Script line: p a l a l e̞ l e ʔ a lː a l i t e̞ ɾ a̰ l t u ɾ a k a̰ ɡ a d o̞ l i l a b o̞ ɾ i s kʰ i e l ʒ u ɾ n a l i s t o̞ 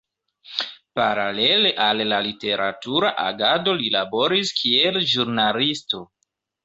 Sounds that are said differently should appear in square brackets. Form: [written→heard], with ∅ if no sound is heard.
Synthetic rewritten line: p a [l→ɾ] a l e̞ l e ʔ a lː a l i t e̞ ɾ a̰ [l→∅] t u ɾ a [k→ʔ] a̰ ɡ a d o̞ l i l a b o̞ ɾ i s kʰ i e l ʒ u ɾ n a l i s t o̞